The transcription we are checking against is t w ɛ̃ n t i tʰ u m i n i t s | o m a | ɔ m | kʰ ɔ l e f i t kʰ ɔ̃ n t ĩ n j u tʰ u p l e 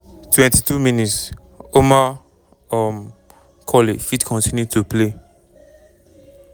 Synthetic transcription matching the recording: t w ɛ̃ n t i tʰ u m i n i t s | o m a | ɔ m | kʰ ɔ l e f i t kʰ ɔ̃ n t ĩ n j u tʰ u p l e